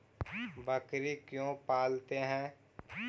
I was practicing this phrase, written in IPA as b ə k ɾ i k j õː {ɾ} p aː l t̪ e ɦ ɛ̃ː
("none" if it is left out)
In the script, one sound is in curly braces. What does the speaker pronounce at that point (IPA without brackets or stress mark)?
none